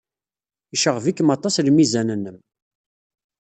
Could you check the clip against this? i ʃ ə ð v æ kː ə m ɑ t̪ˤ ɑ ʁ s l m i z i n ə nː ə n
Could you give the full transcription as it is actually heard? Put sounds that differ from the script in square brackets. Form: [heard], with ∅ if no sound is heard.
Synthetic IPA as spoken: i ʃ ə [ʁ] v [i] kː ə m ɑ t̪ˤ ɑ [∅] s l m i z [æ] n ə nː ə [m]

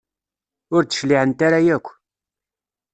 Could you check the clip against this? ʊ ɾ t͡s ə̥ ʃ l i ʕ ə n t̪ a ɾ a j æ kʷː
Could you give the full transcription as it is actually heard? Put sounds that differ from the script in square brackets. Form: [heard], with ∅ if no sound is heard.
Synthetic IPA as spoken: ʊ ɾ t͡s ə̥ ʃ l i ʕ ə n t̪ a ɾ a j æ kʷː

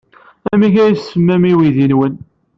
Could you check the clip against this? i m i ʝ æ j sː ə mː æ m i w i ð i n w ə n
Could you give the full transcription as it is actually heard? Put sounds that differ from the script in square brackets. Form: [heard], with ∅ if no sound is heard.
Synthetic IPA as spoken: [æ] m i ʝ æ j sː ə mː æ m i w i ð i n w ə n

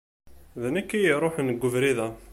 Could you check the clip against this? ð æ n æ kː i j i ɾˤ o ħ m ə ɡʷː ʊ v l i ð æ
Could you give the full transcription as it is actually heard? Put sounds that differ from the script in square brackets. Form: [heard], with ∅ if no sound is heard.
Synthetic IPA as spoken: ð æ n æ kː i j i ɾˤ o ħ [n] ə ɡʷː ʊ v [ɾ] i ð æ

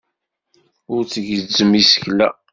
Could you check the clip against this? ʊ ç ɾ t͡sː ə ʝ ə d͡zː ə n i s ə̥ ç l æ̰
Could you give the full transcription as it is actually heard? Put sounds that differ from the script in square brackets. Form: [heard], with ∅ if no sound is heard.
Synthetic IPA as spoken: ʊ [∅] ɾ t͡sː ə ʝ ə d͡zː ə [m] i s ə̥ ç l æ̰

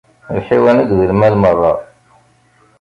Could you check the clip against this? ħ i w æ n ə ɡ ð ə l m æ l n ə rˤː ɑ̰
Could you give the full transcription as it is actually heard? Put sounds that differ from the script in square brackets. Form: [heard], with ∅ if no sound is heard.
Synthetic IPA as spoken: ħ i w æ n ə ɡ ð ə l m æ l [m] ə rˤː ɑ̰

